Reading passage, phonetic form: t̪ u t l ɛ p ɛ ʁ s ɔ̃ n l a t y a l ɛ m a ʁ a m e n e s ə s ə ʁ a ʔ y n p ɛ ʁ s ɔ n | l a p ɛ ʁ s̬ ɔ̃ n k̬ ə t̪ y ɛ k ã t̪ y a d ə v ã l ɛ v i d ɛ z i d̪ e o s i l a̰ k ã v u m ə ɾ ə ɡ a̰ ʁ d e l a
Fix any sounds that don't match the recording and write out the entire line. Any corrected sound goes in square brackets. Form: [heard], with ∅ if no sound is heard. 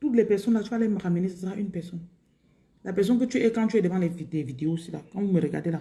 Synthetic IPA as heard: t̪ u t l ɛ p ɛ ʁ s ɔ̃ n l a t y a l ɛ m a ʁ a m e n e s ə s ə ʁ a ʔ y n p ɛ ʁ s ɔ n | l a p ɛ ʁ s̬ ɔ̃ n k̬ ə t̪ y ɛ k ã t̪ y [ɛ] d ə v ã l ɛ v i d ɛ [v] i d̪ e o s i l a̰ k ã v u m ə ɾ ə ɡ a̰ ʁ d e l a

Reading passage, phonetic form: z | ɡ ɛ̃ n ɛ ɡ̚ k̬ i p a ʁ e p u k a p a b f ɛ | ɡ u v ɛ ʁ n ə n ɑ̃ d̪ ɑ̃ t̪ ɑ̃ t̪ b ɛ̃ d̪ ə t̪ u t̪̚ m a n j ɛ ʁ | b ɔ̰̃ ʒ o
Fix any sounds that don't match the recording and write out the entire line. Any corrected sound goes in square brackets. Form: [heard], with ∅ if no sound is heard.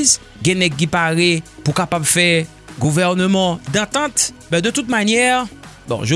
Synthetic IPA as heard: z | ɡ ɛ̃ n ɛ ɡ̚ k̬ i p a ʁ e p u k a p a b f ɛ | ɡ u v ɛ ʁ n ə [m] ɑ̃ d̪ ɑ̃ t̪ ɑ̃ t̪ b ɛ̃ d̪ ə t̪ u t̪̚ m a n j ɛ ʁ | b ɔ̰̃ ʒ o

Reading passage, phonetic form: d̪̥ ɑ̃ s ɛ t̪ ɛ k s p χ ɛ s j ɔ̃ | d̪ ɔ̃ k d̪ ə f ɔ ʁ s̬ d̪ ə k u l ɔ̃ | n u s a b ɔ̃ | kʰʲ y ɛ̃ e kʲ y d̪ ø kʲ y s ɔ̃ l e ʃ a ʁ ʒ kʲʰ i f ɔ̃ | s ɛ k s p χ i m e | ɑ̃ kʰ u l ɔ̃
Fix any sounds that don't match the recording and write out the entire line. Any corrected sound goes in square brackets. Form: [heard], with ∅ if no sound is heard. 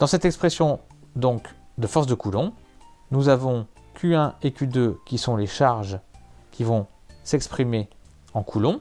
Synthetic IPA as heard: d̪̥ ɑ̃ s ɛ t̪ ɛ k s p χ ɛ s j ɔ̃ | d̪ ɔ̃ k d̪ ə f ɔ ʁ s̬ d̪ ə k u l ɔ̃ | n u [z] a [v] ɔ̃ | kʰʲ y ɛ̃ e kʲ y d̪ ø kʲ [i] s ɔ̃ l e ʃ a ʁ ʒ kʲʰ i [v] ɔ̃ | s ɛ k s p χ i m e | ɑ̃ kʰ u l ɔ̃

